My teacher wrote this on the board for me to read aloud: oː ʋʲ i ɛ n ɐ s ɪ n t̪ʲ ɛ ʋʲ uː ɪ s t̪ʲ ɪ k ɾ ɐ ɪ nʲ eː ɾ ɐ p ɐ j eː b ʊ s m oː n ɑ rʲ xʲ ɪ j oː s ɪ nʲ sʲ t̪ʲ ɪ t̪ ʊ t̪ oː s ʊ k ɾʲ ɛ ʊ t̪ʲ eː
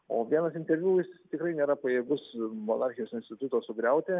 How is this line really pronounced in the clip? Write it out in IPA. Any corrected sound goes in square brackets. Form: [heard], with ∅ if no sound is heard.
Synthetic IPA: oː ʋʲ i ɛ n ɐ s ɪ n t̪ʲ ɛ ʋʲ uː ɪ s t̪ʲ ɪ k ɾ ɐ ɪ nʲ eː ɾ ɐ p ɐ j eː [ɡ] ʊ s m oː n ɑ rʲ xʲ ɪ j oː s ɪ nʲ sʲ t̪ʲ ɪ t̪ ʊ t̪ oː s ʊ [ɡ] ɾʲ ɛ ʊ t̪ʲ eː